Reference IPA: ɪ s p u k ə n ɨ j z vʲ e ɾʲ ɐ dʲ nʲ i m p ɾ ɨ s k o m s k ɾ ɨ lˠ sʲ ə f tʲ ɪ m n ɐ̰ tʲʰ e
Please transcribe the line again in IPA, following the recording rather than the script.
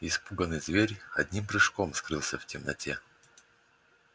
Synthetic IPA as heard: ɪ s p u ɡ ə n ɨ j z vʲ e ɾʲ ɐ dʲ nʲ i m p ɾ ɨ ʂ k o m s k ɾ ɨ lˠ sʲ ə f tʲ ɪ m n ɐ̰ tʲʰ e